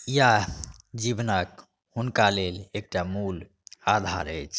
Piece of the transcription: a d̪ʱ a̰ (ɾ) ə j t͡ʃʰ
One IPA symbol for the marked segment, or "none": ɾ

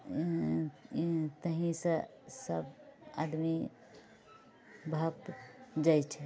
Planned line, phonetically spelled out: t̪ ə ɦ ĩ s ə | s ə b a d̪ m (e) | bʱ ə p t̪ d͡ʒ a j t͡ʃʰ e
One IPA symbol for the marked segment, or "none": i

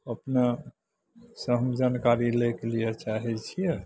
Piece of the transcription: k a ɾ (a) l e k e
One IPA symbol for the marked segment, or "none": i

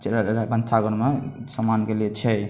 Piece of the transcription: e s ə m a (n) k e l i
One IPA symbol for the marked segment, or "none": n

